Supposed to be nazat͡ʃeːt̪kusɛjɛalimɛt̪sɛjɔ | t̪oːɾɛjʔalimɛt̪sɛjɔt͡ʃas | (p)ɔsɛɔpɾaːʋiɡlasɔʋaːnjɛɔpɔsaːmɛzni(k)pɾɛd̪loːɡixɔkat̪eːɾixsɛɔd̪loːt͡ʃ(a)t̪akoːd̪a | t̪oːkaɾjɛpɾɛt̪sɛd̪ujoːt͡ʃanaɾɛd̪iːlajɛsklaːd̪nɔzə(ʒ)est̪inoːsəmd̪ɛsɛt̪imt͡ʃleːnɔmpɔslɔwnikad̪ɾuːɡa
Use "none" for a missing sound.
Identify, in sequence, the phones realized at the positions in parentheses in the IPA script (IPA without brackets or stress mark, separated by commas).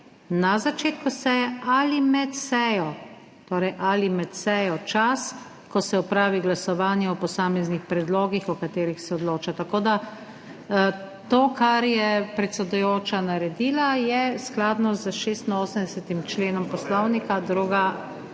k, x, a, ʃ